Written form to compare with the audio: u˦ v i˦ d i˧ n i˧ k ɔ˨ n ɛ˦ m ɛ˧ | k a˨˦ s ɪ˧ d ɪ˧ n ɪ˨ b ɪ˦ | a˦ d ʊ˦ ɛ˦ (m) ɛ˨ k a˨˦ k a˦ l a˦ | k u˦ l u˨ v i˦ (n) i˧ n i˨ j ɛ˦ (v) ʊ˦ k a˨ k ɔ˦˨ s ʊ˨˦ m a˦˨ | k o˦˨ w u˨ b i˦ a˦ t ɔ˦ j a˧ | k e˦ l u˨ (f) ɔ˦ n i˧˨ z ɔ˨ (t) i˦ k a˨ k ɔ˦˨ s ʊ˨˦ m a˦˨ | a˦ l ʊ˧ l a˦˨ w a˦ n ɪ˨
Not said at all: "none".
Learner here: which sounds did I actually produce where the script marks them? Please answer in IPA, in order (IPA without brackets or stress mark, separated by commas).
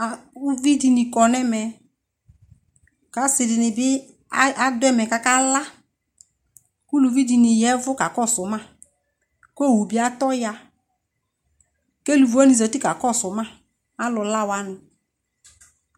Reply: m, d, v, v, t